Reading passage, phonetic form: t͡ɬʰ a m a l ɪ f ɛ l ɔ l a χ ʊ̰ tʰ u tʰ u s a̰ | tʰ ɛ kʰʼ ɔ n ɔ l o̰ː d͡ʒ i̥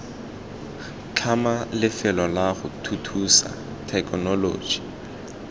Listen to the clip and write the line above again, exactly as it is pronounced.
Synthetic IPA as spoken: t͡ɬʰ a m a l ɪ f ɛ l ɔ l a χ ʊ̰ tʰ u tʰ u s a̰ | tʰ ɛ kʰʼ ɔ n ɔ l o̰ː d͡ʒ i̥